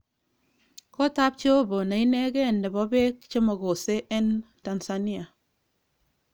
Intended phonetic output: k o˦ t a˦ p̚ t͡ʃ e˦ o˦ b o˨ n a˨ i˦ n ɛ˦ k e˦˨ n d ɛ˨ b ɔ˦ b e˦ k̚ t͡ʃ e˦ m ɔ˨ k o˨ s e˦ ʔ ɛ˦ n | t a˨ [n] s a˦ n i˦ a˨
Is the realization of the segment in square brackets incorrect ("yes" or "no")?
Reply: no